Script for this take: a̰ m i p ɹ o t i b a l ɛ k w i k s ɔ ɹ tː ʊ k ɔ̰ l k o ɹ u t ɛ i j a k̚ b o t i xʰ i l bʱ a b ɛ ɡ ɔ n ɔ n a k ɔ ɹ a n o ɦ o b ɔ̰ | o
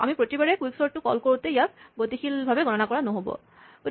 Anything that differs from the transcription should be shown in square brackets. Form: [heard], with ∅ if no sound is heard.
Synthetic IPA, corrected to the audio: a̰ m i p ɹ o t i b a [ɹ] ɛ k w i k s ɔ ɹ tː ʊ k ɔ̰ l k o ɹ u t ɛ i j a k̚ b o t i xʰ i l bʱ a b ɛ ɡ ɔ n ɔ n a k ɔ ɹ a n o ɦ o b ɔ̰ | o